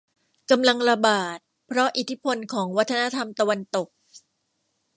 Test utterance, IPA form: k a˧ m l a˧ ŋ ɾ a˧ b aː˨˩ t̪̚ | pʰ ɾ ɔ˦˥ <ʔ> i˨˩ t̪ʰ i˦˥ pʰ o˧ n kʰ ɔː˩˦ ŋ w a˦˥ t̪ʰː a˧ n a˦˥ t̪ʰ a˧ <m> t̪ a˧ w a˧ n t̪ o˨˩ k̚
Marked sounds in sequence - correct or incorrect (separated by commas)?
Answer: correct, correct